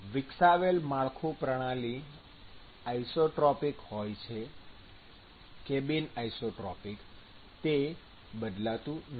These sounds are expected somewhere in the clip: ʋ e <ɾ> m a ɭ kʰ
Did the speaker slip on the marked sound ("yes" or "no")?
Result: yes